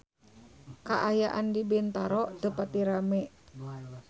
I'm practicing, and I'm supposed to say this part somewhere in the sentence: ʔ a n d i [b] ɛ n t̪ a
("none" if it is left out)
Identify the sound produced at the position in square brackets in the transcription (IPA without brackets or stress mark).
b